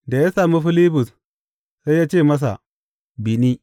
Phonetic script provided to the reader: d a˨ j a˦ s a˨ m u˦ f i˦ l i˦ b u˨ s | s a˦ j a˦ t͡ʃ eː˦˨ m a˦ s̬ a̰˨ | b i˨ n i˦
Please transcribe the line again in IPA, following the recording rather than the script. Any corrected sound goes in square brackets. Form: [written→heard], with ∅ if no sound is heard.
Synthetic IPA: d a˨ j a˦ s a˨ m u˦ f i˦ l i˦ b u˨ s | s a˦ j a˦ t͡ʃ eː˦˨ m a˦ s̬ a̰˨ | b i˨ n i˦